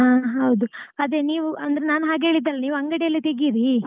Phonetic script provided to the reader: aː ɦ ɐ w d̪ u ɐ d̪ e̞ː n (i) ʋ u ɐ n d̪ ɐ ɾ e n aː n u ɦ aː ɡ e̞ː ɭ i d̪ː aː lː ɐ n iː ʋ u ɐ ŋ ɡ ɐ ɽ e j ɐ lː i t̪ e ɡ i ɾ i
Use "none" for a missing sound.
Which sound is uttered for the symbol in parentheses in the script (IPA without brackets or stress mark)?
iː